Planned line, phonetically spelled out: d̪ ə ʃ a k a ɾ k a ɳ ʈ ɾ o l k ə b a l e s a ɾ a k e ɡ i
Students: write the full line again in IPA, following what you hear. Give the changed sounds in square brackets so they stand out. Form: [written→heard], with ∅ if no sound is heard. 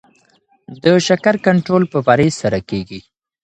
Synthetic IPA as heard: d̪ ə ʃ a k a ɾ k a ɳ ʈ ɾ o l [k→p] ə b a [l→ɾ] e s a ɾ a k e ɡ i